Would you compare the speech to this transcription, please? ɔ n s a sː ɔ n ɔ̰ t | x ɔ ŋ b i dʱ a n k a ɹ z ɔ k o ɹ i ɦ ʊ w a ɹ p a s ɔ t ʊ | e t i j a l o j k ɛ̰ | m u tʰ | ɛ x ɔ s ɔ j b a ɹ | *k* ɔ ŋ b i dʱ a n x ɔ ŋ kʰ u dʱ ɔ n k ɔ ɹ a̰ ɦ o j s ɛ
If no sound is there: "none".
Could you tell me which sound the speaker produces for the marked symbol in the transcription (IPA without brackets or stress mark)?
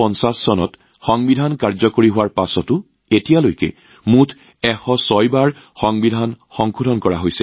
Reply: x